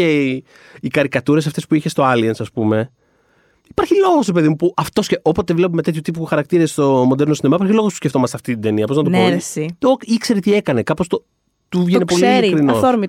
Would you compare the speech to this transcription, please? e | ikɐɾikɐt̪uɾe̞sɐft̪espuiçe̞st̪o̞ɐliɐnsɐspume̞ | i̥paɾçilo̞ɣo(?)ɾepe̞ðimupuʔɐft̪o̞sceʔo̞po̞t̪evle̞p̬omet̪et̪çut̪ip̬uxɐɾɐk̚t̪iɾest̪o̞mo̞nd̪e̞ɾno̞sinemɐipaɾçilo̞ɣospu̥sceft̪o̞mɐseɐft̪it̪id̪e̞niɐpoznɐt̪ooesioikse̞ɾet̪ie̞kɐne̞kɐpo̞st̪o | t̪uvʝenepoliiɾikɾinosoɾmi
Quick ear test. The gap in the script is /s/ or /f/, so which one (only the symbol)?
s